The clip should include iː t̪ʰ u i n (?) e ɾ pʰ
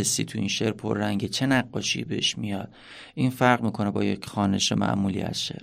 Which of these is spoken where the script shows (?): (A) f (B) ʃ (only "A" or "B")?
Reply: B